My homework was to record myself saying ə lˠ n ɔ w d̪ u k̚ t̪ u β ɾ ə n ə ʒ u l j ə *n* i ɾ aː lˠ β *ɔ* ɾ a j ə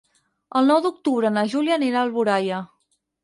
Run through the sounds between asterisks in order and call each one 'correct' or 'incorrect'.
correct, incorrect

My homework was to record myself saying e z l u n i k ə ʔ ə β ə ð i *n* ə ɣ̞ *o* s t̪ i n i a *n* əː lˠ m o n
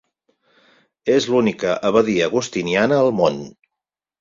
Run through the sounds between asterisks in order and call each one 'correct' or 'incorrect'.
incorrect, incorrect, correct

